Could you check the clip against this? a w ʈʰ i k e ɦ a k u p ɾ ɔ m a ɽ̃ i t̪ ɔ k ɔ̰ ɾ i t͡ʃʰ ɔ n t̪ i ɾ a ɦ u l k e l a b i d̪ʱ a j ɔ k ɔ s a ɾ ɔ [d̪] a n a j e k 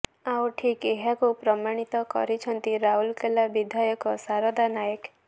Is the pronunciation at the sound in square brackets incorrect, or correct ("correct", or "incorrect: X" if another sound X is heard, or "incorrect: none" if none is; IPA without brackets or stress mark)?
correct